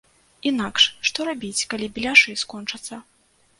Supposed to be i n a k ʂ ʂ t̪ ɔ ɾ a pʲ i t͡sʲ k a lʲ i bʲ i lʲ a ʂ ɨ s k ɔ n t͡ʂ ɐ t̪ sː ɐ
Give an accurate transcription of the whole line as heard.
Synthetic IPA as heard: i n a k ʂ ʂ t̪ ɔ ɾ a bʲ i t͡sʲ k a lʲ i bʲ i lʲ a ʂ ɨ s k ɔ n t͡ʂ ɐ t̪ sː ɐ